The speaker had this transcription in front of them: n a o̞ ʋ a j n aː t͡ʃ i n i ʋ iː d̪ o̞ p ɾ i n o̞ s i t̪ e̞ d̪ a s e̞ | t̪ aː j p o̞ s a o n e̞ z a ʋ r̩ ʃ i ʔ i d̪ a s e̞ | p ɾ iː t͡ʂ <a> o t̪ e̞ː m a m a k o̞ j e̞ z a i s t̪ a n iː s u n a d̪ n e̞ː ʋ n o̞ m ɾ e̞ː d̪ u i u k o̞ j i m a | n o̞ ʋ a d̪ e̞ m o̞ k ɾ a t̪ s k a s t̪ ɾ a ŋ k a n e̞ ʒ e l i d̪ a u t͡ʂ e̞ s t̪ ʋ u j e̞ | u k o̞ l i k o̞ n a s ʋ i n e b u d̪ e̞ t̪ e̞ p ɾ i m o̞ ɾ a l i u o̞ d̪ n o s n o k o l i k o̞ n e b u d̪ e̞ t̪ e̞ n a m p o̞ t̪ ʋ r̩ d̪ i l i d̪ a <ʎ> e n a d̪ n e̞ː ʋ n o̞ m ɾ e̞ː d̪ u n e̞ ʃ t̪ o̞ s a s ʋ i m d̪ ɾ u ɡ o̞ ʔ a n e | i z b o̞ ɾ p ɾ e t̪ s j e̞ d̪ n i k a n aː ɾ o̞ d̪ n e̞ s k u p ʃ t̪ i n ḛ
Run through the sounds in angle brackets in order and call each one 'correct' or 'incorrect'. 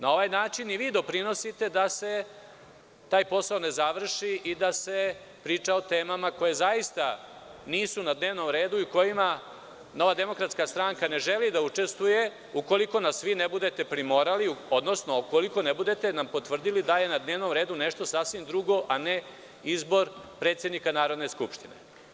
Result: correct, incorrect: j

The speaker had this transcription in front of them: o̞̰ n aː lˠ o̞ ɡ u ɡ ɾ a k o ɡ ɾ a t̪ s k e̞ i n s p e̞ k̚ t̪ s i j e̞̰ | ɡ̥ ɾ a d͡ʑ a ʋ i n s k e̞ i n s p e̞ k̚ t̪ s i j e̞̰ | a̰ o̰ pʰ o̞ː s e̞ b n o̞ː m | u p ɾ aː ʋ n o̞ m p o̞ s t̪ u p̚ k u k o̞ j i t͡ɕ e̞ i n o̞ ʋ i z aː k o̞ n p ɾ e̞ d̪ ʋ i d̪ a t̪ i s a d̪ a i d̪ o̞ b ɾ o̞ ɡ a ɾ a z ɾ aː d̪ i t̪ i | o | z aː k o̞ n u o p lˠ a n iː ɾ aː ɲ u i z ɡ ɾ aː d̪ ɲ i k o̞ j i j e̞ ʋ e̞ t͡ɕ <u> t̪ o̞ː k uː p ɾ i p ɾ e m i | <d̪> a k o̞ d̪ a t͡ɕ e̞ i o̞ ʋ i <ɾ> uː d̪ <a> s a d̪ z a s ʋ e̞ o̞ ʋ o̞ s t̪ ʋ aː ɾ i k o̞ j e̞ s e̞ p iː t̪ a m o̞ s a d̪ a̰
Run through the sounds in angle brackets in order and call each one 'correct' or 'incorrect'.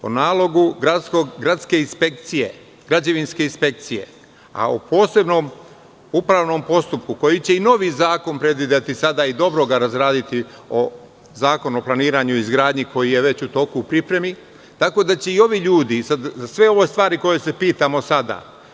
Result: correct, incorrect: t̪, incorrect: ʎ, incorrect: i

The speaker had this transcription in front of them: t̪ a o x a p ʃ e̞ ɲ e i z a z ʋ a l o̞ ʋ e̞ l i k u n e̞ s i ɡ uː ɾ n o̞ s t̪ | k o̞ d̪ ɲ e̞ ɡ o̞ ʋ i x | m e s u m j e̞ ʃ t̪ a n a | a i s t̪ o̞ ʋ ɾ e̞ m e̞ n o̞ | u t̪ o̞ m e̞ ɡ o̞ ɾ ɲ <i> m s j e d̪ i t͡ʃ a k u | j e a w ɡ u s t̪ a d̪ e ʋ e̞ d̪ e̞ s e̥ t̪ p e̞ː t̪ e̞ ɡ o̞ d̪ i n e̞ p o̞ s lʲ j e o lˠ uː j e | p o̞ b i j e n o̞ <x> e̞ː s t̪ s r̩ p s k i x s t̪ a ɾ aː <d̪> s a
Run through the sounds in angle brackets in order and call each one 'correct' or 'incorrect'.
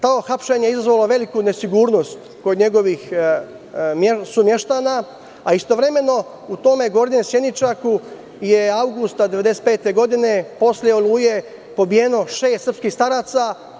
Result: incorrect: e, incorrect: ʃ, incorrect: t̪

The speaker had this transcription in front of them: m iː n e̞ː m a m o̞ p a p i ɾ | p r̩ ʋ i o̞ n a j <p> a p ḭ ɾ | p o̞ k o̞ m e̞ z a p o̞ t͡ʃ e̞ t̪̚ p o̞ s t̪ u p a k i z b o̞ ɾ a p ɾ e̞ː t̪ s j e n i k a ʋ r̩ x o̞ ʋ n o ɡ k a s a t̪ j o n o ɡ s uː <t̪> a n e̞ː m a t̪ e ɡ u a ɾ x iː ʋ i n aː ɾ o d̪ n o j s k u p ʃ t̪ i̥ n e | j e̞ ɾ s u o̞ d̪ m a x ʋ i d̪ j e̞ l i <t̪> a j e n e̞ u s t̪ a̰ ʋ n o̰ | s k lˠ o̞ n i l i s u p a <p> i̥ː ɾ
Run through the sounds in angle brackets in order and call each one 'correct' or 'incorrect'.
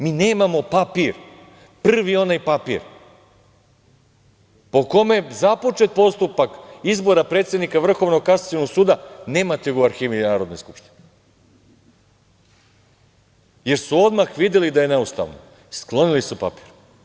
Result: correct, incorrect: d̪, incorrect: d̪, correct

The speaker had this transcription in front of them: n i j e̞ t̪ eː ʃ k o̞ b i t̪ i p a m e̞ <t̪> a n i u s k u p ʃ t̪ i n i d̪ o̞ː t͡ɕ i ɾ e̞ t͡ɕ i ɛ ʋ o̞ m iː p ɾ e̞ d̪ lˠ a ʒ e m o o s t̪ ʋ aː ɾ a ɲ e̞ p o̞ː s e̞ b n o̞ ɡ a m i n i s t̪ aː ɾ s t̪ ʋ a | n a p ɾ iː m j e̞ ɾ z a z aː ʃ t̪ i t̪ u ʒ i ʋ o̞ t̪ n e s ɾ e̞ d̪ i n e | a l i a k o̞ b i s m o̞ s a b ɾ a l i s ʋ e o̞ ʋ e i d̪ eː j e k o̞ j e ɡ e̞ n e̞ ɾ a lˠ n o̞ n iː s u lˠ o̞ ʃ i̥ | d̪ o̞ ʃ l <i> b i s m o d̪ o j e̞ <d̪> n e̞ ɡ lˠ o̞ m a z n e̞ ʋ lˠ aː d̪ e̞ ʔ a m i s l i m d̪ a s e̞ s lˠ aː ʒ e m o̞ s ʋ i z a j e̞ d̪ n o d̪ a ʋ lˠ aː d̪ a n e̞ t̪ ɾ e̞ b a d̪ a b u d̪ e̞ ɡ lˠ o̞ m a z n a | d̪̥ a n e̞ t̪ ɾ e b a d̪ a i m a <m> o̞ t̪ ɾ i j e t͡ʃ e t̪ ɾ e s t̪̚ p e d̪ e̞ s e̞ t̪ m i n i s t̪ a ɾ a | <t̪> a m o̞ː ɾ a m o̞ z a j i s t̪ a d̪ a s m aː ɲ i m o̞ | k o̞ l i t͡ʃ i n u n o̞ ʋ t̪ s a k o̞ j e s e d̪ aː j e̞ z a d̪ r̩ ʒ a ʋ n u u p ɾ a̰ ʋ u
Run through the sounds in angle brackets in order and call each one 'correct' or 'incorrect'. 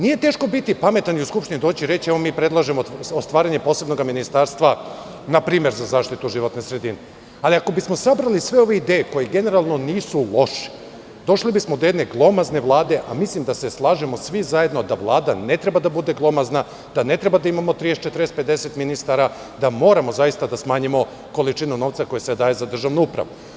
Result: correct, correct, correct, correct, incorrect: d̪

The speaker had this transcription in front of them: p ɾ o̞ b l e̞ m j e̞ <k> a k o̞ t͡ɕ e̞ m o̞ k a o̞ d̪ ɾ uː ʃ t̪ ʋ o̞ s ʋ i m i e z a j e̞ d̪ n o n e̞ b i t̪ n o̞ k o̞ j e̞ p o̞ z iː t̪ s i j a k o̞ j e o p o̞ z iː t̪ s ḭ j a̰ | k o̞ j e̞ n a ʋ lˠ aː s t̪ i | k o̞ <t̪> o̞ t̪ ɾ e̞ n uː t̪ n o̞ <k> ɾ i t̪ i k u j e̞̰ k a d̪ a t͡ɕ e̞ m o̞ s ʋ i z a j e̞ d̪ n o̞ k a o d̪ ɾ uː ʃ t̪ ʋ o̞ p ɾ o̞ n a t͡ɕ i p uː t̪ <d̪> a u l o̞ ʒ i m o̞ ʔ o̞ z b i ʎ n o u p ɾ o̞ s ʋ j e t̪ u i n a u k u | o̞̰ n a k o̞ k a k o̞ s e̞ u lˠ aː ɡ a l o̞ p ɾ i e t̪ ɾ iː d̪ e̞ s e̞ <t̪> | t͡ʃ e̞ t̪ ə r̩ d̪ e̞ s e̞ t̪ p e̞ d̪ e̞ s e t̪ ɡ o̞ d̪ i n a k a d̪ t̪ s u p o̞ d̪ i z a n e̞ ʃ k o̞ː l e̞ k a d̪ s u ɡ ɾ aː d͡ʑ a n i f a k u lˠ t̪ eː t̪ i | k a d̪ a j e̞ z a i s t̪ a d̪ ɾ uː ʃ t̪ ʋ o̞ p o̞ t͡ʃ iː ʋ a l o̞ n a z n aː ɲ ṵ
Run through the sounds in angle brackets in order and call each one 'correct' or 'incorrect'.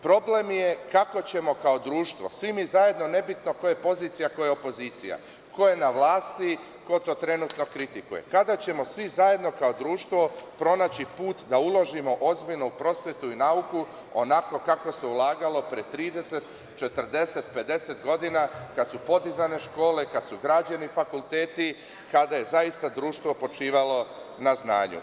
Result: correct, correct, correct, correct, correct

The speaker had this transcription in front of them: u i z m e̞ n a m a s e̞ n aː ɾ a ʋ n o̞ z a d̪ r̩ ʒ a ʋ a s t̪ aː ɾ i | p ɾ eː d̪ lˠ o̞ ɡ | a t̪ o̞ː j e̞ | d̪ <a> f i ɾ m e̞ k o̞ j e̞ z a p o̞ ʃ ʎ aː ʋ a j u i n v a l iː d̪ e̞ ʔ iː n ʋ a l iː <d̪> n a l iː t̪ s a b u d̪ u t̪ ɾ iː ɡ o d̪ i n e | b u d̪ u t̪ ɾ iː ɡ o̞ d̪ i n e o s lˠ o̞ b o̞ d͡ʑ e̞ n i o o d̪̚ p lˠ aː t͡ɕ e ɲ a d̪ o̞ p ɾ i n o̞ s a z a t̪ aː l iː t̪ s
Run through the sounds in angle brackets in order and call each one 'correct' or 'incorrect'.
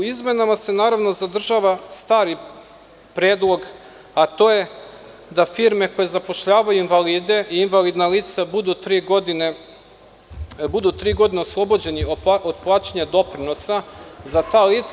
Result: correct, correct

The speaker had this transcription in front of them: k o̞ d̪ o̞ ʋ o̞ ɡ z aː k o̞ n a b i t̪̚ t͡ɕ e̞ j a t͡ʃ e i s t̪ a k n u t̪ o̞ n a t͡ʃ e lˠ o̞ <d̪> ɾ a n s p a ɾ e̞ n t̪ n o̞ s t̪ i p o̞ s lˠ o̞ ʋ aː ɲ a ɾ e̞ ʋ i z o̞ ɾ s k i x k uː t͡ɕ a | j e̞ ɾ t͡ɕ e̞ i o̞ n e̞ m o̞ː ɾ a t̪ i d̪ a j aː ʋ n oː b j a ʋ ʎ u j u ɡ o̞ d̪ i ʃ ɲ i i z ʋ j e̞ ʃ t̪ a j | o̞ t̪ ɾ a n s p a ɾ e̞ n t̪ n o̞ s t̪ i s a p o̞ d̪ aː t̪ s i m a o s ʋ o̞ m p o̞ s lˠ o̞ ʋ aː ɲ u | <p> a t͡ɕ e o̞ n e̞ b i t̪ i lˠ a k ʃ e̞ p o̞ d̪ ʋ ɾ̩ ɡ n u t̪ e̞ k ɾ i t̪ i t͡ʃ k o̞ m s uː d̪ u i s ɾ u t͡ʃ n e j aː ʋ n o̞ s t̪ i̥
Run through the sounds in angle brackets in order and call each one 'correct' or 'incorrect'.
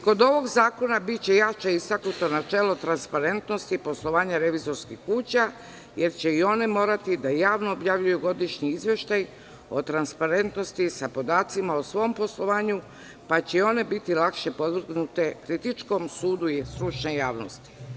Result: incorrect: t̪, correct

